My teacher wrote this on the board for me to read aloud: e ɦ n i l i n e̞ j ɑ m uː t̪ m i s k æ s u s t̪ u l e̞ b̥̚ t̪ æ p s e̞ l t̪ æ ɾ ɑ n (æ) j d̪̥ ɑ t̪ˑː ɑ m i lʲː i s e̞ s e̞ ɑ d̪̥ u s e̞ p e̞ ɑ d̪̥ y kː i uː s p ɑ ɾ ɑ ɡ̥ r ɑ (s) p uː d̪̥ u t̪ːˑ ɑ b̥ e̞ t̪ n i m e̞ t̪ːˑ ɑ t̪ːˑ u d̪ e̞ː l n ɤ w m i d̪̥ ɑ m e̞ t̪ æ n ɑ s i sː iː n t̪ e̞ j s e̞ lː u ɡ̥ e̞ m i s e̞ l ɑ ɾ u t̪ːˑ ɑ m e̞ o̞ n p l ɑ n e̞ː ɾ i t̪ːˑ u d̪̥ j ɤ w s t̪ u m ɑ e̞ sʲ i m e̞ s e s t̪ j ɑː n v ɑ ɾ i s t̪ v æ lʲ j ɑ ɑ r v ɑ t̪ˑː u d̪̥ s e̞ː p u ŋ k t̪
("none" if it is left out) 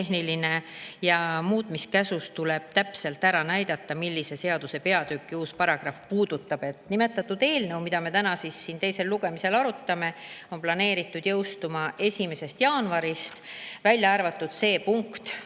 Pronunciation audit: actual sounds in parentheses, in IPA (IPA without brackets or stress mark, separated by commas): æ, f